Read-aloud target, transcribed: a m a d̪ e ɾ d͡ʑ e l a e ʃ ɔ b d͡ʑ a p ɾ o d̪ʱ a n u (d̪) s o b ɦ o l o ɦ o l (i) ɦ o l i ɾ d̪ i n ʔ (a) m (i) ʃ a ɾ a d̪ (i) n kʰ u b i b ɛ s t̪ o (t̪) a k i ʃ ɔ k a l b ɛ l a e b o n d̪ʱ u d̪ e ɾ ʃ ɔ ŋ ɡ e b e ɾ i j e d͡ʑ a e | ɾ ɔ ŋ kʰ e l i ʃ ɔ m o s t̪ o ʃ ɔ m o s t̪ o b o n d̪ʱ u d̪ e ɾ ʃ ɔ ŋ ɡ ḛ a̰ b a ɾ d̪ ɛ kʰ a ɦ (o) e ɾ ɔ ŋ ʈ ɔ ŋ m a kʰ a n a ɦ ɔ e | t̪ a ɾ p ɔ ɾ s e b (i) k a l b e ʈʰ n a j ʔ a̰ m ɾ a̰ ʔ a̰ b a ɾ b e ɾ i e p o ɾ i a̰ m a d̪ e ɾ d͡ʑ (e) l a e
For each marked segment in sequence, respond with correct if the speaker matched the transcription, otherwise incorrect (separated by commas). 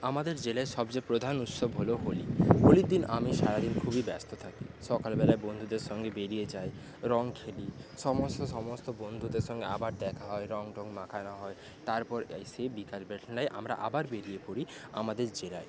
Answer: incorrect, correct, correct, correct, correct, incorrect, incorrect, correct, correct